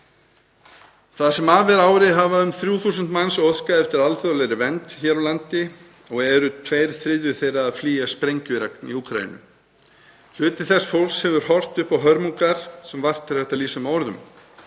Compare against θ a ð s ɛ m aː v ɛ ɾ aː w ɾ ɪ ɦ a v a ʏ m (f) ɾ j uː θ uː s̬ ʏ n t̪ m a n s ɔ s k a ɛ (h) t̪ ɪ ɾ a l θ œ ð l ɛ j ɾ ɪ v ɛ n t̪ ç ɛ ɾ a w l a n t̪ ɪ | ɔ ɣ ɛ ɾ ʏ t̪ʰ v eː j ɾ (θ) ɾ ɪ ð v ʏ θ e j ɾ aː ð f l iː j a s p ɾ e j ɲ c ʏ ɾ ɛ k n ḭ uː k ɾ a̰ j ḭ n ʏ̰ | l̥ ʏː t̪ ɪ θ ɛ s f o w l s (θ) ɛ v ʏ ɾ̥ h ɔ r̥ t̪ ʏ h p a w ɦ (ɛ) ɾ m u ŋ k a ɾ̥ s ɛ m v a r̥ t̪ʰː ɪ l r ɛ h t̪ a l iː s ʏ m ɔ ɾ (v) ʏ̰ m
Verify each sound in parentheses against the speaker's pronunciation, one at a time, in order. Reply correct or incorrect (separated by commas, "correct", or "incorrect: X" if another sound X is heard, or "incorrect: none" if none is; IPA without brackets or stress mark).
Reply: incorrect: θ, incorrect: f, correct, incorrect: h, incorrect: œ, incorrect: ð